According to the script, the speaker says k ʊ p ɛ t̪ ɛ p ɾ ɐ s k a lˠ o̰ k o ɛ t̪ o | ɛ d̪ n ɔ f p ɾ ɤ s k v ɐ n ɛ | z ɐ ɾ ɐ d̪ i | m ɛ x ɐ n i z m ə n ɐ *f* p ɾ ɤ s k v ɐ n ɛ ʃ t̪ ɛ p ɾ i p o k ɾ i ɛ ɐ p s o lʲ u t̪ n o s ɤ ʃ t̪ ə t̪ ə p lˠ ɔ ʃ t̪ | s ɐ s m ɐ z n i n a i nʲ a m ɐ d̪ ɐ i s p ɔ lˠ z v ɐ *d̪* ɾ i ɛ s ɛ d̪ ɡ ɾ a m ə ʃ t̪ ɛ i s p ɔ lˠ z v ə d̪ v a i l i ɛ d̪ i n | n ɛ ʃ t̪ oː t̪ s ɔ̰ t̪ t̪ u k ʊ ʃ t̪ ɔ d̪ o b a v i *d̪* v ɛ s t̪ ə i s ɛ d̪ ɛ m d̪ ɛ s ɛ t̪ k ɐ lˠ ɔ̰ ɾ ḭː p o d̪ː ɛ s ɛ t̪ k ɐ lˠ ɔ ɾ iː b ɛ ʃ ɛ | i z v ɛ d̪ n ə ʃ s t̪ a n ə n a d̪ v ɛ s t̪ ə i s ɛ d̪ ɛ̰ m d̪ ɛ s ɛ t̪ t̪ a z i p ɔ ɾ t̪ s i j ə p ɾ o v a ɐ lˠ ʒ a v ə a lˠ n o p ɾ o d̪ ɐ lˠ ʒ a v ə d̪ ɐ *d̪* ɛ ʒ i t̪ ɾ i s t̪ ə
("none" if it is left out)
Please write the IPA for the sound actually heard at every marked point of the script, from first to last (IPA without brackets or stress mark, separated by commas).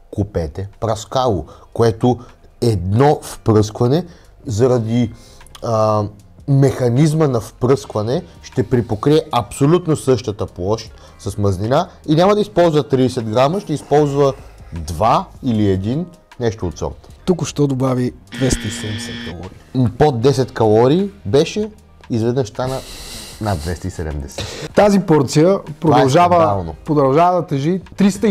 f, t̪, d̪, t̪